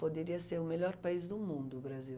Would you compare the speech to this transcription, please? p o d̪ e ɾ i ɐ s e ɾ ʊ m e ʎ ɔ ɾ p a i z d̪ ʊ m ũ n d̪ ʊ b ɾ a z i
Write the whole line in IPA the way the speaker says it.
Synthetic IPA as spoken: p o d̪ e ɾ i ɐ s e ɾ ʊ m e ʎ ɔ ɾ p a i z d̪ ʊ m ũ n d̪ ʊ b ɾ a z i